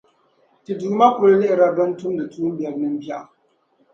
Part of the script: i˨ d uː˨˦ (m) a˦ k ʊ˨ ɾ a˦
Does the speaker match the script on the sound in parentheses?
yes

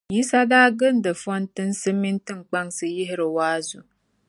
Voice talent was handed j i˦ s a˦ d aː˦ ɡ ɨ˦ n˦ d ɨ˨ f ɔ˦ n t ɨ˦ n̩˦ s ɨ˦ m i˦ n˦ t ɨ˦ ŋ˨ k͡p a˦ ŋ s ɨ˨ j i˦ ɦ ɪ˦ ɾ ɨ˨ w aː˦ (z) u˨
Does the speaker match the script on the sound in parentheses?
yes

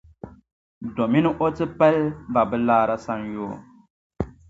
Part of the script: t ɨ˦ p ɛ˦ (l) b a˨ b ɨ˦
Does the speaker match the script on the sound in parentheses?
yes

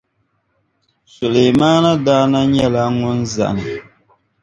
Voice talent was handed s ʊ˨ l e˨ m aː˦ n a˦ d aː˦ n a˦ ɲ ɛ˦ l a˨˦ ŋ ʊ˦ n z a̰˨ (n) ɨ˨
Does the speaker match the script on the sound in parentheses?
yes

